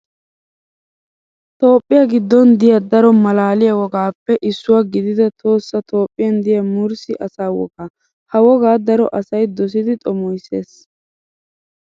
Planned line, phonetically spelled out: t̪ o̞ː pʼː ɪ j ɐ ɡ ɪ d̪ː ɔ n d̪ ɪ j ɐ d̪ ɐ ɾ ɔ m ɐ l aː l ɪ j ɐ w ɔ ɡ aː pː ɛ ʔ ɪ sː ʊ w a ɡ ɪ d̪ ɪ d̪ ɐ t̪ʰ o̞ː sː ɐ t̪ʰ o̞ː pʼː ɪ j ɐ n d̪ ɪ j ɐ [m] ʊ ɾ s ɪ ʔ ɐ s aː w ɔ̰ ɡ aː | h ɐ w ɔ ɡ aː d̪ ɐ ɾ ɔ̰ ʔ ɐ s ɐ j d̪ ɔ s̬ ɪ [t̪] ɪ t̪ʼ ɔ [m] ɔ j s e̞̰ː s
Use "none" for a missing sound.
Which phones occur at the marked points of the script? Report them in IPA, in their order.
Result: m, d̪, m

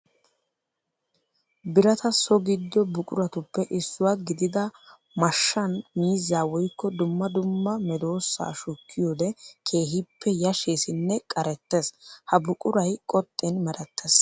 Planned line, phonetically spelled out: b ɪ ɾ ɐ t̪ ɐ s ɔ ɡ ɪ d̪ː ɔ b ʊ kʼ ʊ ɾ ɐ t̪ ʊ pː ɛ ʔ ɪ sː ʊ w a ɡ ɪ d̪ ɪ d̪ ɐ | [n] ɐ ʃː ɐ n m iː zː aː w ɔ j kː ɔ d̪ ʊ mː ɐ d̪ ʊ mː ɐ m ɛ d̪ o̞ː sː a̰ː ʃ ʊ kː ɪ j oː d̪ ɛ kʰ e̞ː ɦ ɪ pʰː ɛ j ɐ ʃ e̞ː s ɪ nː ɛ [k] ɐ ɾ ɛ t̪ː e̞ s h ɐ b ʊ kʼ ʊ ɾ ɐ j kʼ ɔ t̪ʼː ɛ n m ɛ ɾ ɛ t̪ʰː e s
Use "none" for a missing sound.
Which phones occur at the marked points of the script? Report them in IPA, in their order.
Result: m, kʼ

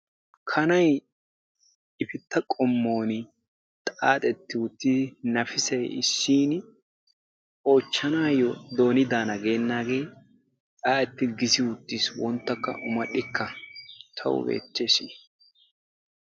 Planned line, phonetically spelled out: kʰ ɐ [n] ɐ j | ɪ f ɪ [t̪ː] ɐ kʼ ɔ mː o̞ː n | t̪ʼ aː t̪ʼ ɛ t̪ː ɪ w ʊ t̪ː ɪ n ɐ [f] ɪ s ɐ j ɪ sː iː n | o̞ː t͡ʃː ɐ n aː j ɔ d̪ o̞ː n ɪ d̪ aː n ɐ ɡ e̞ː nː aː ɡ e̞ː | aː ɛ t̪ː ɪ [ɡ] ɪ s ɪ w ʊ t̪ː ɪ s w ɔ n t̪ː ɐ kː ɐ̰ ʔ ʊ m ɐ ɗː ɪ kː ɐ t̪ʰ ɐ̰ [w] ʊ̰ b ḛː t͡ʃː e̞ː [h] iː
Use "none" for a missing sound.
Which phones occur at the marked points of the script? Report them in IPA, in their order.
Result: n, t̪ː, f, ɡ, w, s

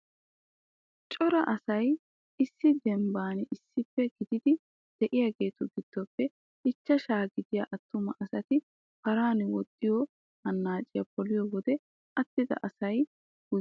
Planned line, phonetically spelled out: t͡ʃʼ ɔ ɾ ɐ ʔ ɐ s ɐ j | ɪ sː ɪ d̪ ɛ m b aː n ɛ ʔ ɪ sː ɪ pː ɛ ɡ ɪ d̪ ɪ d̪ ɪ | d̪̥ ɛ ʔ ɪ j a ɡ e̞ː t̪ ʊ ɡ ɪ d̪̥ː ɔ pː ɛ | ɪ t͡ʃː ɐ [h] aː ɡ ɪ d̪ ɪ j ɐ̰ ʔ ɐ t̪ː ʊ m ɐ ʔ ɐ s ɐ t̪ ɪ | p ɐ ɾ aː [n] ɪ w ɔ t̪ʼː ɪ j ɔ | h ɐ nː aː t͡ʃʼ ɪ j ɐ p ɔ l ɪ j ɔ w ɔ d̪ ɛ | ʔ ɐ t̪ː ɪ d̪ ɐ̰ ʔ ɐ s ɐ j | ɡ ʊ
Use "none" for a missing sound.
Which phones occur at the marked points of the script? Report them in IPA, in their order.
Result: ʃ, n

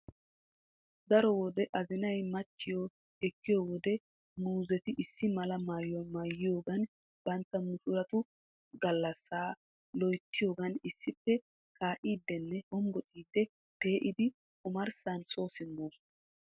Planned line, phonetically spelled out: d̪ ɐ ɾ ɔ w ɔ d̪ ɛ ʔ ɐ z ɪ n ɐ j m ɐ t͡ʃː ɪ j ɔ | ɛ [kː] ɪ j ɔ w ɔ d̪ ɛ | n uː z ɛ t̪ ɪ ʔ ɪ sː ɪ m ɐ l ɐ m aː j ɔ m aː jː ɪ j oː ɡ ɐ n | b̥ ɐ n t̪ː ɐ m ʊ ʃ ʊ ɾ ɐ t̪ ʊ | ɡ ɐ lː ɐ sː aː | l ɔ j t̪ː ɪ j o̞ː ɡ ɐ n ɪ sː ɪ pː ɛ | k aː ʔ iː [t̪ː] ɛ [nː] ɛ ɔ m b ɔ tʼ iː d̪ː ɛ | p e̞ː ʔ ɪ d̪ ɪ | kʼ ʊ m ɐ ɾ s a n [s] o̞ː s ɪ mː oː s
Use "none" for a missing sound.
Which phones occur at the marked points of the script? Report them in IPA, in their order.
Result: kː, d̪ː, nː, s

